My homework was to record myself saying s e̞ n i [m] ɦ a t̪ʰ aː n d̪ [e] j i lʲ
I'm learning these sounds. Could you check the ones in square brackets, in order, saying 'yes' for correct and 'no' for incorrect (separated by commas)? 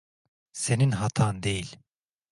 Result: no, yes